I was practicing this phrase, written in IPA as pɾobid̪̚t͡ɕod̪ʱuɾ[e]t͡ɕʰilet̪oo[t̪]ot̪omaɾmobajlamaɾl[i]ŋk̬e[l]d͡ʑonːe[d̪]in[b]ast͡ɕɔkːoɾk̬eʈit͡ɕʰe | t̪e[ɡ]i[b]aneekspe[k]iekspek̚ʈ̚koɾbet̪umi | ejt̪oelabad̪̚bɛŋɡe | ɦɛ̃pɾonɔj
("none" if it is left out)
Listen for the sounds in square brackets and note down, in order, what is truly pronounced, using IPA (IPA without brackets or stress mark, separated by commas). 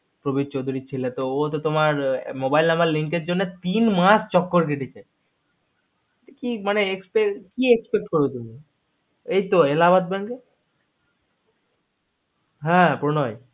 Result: i, t̪, i, ɾ, t̪, m, k, m, k